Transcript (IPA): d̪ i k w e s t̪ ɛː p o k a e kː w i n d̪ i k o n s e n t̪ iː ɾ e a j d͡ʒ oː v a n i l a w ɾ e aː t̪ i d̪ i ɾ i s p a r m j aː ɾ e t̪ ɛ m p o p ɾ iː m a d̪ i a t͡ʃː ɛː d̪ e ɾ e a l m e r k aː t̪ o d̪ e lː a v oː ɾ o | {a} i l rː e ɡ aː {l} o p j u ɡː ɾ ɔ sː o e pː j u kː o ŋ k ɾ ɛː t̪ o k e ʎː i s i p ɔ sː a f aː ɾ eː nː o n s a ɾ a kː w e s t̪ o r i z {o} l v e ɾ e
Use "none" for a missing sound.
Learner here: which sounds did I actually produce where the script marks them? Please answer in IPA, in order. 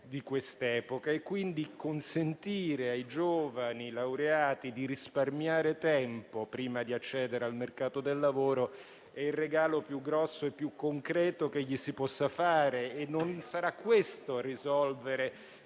ɛ, l, ɔ

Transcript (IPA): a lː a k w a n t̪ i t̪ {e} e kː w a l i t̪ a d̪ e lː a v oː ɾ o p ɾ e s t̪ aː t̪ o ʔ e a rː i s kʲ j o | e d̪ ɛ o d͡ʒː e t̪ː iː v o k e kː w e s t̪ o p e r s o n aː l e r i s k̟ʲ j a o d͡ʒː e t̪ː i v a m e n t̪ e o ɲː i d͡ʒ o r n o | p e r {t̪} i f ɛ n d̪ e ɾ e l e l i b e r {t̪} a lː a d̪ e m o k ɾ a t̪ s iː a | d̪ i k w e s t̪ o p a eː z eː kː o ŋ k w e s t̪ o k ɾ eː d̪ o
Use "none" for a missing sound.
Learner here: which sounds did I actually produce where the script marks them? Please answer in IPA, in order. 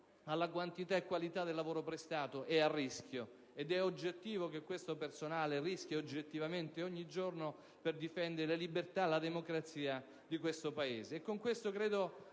a, d̪, t̪

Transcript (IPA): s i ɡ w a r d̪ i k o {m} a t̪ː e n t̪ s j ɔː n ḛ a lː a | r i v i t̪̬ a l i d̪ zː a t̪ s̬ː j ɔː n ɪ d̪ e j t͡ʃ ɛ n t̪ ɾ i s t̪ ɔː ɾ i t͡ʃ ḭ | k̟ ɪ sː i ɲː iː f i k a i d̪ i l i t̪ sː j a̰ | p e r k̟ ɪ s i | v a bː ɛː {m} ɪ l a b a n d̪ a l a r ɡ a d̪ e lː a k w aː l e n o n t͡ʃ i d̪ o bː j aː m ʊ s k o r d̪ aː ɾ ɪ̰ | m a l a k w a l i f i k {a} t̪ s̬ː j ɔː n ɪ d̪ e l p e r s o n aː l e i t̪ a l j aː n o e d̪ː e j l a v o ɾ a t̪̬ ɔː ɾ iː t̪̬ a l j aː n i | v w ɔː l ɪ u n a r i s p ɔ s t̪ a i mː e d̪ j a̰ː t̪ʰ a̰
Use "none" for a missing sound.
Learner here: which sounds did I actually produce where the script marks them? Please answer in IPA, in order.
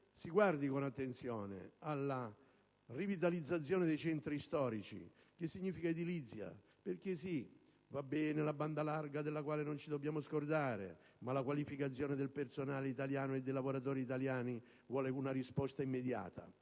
n, n, a

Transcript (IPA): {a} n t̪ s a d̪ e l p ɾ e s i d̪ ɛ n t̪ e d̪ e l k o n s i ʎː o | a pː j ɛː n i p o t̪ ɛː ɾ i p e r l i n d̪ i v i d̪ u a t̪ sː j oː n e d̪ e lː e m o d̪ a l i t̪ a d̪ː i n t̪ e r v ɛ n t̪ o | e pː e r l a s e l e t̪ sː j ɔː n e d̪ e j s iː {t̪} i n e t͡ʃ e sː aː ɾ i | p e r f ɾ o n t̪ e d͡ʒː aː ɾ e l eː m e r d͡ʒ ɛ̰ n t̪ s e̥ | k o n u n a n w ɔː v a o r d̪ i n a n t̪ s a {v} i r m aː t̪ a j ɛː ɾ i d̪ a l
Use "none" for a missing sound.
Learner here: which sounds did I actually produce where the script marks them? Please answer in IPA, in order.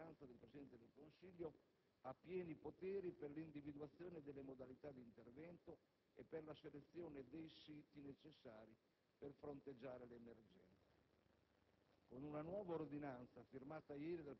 a, t̪, f

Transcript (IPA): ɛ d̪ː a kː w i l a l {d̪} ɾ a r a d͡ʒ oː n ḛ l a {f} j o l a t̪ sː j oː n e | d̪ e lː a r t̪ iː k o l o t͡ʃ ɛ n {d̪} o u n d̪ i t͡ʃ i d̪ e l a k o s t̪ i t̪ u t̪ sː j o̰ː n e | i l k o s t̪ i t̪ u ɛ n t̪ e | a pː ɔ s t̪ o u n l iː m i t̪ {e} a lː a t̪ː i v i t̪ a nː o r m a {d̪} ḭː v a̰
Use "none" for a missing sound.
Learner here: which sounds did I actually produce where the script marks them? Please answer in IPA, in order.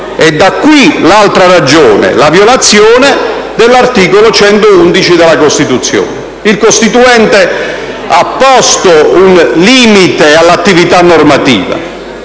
t̪, v, t̪, e, t̪

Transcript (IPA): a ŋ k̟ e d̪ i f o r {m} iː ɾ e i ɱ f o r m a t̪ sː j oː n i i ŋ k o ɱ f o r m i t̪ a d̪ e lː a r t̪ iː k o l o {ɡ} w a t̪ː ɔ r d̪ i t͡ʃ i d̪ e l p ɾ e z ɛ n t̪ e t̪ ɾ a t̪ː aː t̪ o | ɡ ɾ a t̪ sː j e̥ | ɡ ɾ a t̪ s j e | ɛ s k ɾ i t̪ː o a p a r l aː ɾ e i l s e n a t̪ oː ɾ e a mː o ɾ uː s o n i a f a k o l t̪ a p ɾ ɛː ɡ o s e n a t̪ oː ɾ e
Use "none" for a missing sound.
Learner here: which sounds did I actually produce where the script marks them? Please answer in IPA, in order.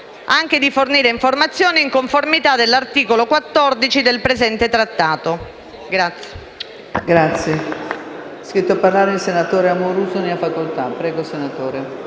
n, k

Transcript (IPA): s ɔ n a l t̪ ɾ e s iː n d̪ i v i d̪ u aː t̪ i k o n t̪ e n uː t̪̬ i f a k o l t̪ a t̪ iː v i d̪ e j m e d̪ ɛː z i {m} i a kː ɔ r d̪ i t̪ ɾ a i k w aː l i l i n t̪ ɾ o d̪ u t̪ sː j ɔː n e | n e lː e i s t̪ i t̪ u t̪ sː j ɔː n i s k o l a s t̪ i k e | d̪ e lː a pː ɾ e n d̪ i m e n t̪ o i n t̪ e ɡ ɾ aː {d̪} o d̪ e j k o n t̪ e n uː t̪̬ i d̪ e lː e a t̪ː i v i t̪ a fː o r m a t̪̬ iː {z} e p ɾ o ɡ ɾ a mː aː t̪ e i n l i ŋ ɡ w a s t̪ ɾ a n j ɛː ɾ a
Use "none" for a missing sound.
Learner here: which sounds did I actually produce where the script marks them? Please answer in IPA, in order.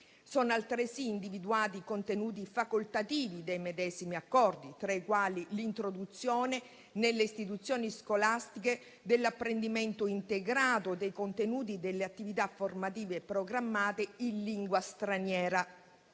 m, t̪, v

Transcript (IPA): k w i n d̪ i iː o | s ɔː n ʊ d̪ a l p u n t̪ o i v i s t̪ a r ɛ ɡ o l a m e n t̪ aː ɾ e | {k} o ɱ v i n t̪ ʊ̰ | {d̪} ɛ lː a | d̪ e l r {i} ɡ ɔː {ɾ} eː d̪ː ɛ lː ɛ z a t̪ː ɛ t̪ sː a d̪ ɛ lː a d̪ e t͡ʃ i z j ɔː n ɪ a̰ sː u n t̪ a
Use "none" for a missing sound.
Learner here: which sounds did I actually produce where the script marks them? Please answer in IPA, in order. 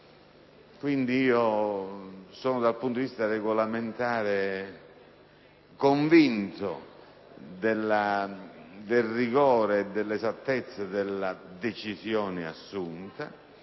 k, d̪, i, ɾ

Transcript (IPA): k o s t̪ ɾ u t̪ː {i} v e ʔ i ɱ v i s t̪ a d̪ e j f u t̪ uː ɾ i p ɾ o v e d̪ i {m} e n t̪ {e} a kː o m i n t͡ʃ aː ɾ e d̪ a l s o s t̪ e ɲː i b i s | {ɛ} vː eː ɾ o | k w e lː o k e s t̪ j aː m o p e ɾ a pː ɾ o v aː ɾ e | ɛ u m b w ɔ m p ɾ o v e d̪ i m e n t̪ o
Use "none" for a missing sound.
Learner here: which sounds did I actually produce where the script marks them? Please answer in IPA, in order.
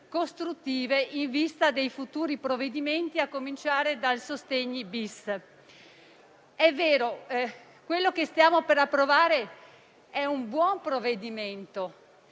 iː, m, i, ɛ

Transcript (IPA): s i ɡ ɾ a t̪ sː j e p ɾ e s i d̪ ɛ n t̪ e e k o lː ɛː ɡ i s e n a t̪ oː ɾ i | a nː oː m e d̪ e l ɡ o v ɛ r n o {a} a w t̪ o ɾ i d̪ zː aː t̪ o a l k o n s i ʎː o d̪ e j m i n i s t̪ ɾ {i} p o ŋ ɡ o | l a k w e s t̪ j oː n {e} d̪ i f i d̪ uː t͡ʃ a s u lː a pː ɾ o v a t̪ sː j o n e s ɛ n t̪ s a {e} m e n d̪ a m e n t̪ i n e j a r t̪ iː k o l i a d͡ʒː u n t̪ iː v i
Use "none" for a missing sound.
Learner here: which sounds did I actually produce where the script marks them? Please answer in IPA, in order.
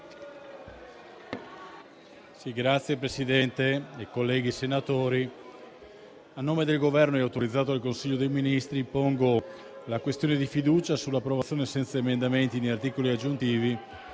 ɛ, i, e, e

